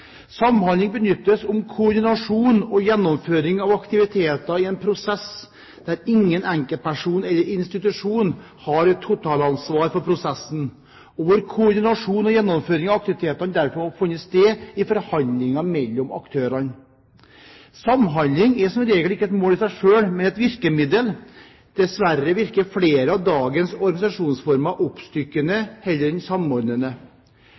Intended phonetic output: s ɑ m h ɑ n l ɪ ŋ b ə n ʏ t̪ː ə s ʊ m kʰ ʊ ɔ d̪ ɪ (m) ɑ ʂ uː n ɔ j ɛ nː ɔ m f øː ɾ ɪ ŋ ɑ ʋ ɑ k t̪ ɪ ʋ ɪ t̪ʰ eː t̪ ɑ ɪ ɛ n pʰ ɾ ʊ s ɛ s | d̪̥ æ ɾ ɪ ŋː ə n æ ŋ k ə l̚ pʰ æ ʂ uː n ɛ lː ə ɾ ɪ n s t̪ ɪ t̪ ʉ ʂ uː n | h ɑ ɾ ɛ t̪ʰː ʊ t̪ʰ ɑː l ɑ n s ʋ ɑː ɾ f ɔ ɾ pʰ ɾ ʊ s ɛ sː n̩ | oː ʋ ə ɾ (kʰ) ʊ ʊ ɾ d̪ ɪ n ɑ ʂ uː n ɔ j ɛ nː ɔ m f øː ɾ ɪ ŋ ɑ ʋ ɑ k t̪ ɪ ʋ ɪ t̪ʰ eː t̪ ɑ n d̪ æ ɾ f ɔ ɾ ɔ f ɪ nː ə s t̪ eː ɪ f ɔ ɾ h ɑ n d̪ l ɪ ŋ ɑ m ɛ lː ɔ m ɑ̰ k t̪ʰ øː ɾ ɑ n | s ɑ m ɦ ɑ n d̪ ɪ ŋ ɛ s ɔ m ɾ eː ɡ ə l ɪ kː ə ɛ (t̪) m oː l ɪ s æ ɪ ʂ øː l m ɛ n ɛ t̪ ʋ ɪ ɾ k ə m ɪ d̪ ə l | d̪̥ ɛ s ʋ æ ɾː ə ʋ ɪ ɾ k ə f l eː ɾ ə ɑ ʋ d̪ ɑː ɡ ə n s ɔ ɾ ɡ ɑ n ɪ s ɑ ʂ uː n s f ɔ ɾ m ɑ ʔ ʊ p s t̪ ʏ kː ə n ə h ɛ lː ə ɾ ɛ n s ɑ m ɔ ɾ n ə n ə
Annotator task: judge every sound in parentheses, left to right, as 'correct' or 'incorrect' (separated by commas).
incorrect, correct, correct